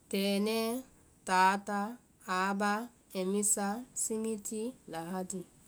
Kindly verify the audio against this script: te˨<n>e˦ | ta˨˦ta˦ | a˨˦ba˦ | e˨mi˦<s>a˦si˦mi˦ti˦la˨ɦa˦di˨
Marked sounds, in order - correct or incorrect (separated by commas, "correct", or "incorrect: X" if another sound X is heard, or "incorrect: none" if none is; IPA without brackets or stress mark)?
correct, correct